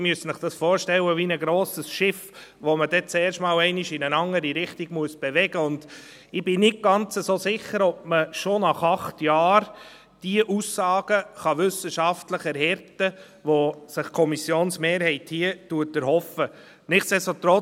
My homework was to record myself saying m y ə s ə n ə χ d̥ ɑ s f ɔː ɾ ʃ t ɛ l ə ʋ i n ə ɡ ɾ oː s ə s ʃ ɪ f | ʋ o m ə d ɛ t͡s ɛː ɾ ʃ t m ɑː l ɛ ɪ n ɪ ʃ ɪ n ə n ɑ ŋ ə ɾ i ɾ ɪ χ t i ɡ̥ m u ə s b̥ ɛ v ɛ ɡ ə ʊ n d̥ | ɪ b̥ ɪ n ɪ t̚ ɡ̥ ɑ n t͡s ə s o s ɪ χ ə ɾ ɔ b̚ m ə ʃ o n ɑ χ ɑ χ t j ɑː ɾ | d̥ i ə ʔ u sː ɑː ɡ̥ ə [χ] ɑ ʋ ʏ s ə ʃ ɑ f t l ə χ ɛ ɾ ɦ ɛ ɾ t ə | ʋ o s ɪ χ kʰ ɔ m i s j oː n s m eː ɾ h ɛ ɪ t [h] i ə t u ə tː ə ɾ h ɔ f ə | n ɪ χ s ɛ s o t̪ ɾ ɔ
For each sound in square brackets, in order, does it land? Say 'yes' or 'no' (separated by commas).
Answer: yes, yes